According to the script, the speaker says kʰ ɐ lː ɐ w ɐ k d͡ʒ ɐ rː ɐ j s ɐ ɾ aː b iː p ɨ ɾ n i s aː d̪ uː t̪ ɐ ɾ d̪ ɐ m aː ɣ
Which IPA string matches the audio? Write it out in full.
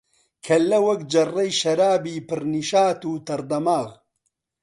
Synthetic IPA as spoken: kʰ ɐ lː ɐ w ɐ k d͡ʒ ɐ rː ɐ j ʃ ɐ ɾ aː b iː p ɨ ɾ n i ʃ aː t̪ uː t̪ ɐ ɾ d̪ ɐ m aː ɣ